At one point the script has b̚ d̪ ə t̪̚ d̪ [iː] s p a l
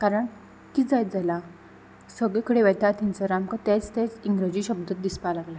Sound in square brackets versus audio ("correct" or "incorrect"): incorrect